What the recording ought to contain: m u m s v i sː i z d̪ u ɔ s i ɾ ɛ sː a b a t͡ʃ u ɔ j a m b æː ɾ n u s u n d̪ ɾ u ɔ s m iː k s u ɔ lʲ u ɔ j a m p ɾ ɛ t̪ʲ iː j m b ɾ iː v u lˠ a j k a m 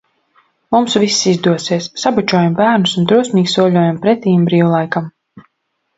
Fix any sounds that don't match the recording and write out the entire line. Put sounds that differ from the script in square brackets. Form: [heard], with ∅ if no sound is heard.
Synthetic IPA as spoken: m u m s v i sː i z d̪ u ɔ s i [∅] ɛ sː a b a t͡ʃ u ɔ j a m b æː ɾ n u s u n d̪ ɾ u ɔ s m iː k s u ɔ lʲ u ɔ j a m p ɾ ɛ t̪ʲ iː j m b ɾ iː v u lˠ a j k a m